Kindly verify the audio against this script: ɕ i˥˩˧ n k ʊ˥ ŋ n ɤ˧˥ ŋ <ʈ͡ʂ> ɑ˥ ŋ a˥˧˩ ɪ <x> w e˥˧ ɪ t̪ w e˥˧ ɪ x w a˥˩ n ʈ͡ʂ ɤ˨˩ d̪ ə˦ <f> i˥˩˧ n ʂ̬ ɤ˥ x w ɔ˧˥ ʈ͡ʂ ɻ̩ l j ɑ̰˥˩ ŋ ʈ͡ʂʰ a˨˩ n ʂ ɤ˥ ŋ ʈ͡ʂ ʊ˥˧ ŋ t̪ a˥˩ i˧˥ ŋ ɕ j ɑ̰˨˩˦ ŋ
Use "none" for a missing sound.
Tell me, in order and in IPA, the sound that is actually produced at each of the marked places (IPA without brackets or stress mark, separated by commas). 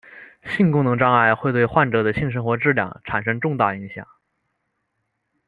ʈ͡ʂ, x, ɕ